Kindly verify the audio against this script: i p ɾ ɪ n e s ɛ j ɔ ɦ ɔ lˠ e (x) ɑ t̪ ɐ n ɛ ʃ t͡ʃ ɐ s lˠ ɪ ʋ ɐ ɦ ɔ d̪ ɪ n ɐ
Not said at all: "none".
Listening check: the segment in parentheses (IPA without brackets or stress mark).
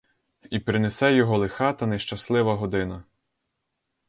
x